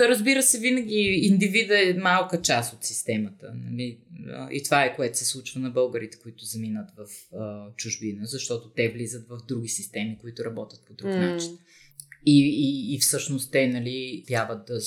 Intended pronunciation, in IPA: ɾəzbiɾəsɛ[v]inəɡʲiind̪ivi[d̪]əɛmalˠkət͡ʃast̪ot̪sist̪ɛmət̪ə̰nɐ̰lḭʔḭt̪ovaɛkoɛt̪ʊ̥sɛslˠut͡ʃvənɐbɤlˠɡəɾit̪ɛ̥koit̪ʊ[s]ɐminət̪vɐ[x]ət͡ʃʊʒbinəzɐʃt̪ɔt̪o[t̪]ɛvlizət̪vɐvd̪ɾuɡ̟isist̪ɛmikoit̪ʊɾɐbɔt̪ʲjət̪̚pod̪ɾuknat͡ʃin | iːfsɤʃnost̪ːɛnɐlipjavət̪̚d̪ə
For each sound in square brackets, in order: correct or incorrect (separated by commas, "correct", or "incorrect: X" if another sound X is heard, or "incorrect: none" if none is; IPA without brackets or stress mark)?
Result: correct, correct, incorrect: z, incorrect: f, correct